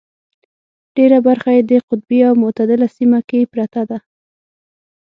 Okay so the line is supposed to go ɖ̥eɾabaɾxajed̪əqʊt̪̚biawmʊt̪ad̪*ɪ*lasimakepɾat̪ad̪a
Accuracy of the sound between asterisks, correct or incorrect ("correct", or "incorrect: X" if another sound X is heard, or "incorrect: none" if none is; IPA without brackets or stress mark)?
correct